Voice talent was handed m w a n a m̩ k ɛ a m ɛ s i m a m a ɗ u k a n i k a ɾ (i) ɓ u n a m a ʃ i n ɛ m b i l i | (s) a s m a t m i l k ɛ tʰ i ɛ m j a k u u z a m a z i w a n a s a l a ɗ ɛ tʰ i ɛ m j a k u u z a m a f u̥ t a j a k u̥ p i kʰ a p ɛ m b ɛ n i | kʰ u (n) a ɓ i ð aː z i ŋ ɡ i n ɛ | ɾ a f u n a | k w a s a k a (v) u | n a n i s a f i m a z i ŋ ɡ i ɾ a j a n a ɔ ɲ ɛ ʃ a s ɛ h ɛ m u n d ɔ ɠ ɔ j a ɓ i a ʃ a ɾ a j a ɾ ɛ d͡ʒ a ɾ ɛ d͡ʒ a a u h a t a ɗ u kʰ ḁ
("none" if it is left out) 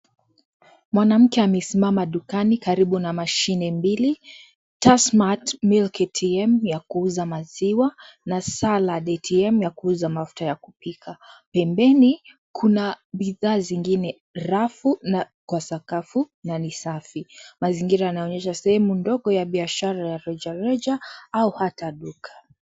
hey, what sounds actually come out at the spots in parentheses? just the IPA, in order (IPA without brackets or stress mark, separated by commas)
i, t, n, f